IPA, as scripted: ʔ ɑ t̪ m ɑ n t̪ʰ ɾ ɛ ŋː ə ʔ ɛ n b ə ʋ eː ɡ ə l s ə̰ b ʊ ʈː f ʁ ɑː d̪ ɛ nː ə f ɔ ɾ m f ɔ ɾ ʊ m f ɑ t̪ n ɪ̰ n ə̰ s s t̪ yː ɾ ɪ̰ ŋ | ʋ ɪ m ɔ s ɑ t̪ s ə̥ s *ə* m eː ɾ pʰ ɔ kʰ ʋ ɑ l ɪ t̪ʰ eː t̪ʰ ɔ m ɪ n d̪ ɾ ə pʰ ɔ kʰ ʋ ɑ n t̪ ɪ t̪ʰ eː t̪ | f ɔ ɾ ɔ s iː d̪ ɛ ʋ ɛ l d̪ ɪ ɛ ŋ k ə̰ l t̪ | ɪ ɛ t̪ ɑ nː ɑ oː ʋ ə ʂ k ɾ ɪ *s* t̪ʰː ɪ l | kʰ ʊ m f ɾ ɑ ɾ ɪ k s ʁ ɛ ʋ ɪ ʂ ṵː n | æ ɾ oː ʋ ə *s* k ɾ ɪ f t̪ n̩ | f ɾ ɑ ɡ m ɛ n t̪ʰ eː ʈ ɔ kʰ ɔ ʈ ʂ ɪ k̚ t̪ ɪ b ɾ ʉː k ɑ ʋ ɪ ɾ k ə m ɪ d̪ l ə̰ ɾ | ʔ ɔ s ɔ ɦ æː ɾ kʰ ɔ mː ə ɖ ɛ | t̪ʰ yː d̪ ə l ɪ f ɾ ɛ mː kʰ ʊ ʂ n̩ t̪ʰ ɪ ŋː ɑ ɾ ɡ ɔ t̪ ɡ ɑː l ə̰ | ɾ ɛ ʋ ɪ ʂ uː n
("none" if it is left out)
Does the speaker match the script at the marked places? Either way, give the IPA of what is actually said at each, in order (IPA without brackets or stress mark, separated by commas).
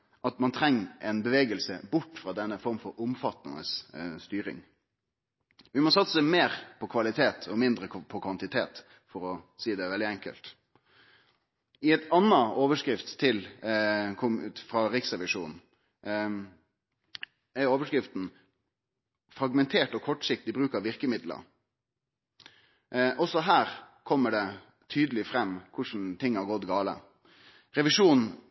ə, f, ʂ